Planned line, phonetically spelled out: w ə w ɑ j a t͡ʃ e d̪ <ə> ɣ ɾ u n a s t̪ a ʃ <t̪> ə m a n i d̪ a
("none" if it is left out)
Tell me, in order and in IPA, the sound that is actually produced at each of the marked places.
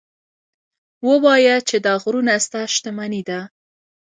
ɑ, t̪

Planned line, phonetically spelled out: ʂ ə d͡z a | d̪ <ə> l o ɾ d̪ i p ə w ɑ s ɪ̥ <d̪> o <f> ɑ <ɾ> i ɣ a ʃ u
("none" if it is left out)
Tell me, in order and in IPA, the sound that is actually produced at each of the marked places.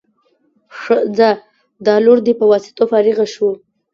ɑ, t̪, f, ɾ

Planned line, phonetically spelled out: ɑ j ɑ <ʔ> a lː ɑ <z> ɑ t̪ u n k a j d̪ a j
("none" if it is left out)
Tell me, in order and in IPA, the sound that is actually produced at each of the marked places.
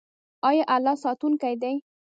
ʔ, s

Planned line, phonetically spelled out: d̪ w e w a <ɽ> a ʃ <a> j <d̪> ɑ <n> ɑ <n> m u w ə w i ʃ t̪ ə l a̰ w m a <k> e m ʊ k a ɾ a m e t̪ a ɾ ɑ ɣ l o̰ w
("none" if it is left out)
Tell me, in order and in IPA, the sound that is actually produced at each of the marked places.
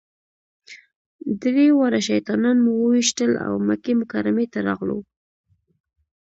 ɾ, a, t̪, n, n, k

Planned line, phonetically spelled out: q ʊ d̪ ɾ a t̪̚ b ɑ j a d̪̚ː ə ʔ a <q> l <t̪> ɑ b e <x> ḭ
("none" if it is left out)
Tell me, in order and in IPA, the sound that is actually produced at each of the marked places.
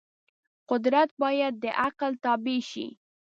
q, t̪, ʃ

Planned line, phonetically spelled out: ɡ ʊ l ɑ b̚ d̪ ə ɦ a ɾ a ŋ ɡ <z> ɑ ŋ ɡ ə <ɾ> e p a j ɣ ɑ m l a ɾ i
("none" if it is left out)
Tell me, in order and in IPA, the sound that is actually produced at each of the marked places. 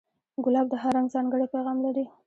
z, ɽ

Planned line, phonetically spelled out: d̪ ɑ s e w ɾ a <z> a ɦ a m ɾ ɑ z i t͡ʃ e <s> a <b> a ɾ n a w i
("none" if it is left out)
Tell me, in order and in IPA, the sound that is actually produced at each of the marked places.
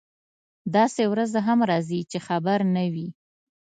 z, x, b

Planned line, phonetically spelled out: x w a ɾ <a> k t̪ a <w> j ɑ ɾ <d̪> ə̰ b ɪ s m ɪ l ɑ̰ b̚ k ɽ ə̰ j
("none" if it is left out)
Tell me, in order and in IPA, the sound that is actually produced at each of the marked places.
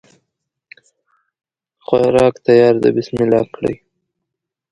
ɑ, none, d̪

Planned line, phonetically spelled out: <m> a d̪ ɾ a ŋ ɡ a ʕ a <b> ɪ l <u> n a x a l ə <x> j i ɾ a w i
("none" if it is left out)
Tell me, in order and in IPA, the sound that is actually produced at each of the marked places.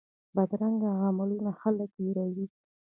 b, m, u, k

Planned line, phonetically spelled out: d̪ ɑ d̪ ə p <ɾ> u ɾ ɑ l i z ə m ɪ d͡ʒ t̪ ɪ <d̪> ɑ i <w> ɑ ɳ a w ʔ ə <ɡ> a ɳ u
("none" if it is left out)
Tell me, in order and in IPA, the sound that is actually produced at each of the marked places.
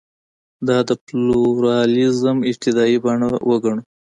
l, d̪, b, ɡ

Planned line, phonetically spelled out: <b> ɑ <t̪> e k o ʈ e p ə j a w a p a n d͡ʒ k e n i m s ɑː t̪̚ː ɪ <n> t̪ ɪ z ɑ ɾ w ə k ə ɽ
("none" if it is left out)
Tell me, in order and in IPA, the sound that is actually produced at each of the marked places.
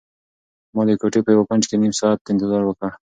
m, d̪, n

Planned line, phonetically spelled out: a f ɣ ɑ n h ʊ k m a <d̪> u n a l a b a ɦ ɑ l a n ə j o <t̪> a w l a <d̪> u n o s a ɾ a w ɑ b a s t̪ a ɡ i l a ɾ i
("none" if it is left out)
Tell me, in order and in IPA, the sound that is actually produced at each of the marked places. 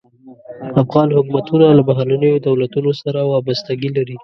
t̪, d̪, t̪

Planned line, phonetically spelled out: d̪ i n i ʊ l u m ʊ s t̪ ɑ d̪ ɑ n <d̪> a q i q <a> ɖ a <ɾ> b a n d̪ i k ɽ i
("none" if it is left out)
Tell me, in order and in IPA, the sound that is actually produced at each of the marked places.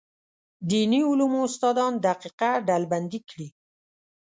d̪, a, l

